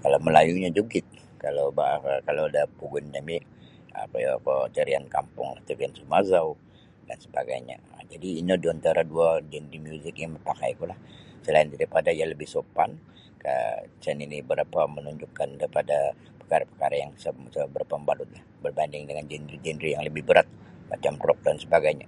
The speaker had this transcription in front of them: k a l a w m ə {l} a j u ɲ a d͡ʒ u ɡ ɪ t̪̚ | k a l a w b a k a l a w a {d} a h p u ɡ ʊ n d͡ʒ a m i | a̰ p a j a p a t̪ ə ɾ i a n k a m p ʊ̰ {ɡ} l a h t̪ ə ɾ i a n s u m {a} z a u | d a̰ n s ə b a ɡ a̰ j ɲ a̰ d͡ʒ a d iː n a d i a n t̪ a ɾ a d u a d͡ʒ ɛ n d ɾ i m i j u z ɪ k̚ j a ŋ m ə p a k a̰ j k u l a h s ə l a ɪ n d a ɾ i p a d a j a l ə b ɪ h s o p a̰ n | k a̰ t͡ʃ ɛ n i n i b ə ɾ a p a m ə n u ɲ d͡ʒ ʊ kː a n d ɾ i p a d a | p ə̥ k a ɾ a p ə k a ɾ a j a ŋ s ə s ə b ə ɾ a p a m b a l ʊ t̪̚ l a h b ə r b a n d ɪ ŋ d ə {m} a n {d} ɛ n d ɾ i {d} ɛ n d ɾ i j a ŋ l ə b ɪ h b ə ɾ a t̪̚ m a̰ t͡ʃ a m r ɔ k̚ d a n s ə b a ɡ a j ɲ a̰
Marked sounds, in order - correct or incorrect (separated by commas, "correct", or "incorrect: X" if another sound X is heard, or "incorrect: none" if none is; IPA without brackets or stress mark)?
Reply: correct, correct, incorrect: ŋ, correct, incorrect: ŋ, incorrect: d͡ʒ, incorrect: d͡ʒ